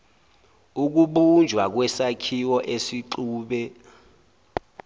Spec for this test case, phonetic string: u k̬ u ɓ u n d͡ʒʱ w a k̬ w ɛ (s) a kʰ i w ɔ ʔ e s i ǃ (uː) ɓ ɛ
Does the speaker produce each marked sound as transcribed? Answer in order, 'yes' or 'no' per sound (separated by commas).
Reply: yes, yes